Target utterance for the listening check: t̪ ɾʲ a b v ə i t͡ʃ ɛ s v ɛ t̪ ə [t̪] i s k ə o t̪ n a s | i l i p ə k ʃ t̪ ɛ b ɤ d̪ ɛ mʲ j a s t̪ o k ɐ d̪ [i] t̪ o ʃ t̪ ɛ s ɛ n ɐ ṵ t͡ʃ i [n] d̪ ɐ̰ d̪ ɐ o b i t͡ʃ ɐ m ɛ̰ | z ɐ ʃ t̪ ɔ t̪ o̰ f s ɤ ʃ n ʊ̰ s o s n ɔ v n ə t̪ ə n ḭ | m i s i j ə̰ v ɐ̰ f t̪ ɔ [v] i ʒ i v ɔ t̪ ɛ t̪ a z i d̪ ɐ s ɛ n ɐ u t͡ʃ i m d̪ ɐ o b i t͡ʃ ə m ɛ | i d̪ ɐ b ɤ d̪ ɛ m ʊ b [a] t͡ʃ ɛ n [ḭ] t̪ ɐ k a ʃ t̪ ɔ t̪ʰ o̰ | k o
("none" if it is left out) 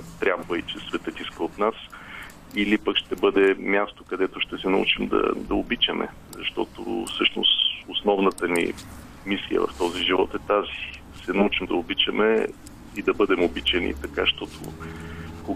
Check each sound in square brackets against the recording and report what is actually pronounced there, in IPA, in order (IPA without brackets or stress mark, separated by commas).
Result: t̪, ɛ, m, z, i, ḭ